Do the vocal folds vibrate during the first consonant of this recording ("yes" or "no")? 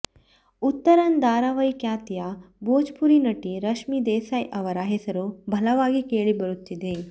no